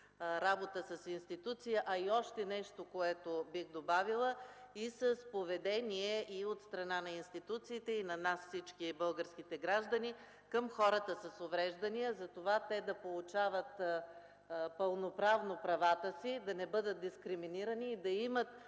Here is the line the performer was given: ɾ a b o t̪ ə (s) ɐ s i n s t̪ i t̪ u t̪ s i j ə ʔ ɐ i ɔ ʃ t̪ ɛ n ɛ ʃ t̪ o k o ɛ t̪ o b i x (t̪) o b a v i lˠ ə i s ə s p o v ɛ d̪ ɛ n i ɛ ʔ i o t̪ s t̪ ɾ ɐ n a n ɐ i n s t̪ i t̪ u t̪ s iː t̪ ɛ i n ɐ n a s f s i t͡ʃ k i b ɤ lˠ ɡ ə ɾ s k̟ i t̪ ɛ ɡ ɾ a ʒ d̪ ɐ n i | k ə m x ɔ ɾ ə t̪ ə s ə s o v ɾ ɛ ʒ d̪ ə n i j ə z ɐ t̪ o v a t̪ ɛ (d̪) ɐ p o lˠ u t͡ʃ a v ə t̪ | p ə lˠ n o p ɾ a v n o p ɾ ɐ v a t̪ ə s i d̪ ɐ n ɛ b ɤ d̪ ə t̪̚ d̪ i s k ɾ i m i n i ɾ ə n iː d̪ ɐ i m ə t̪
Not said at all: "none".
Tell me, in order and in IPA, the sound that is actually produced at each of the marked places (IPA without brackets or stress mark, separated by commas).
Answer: s, d̪, d̪